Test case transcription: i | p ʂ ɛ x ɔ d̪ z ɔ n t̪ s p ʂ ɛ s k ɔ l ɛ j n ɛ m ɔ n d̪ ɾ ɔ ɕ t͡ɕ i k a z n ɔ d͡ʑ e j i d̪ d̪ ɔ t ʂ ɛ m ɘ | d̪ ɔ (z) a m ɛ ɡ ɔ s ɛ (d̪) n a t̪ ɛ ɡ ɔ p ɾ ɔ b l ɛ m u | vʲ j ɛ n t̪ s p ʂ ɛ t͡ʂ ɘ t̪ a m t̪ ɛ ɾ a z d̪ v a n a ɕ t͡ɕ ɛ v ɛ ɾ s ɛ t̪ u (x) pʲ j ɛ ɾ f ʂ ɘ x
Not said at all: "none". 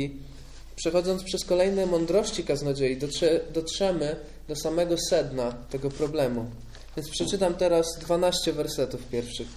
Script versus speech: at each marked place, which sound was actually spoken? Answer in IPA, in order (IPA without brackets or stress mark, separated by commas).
s, d̪, f